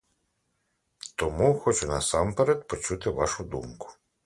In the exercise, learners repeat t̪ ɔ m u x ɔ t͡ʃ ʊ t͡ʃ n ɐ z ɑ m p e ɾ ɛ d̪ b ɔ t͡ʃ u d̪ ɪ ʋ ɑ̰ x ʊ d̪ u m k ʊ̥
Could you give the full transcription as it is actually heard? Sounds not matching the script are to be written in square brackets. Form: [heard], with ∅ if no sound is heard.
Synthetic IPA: t̪ ɔ m u x ɔ t͡ʃ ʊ [∅] n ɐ [s] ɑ m p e ɾ ɛ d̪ [p] ɔ t͡ʃ u [t̪] ɪ ʋ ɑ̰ [ʃ] ʊ d̪ u m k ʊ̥